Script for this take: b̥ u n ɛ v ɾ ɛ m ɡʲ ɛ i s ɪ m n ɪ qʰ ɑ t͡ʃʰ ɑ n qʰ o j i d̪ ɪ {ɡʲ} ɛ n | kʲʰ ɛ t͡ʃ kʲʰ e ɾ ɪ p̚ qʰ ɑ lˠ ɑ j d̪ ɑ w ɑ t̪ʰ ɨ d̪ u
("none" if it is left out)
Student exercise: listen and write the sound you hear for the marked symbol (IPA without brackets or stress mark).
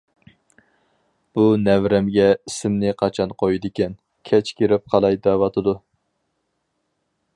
kʲ